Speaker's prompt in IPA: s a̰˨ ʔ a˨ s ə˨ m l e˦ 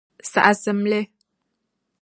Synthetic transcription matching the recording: s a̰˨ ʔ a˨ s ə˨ m l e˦